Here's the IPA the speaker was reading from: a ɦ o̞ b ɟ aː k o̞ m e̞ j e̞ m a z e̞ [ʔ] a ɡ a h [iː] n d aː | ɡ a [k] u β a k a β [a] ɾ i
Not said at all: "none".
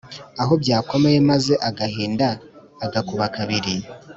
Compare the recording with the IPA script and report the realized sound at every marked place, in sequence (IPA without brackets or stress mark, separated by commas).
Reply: ʔ, iː, k, i